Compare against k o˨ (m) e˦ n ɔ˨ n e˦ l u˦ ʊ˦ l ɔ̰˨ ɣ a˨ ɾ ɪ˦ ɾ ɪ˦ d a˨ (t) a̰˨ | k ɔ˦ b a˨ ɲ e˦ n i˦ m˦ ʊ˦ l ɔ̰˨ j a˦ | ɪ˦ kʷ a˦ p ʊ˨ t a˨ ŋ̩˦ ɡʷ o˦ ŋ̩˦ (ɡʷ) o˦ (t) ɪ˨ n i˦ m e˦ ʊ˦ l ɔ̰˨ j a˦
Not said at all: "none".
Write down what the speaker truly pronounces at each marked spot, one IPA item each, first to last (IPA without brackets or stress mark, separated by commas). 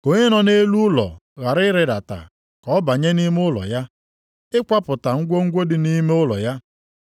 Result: ɲ, t, ɡʷ, d